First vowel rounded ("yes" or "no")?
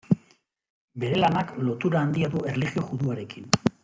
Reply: no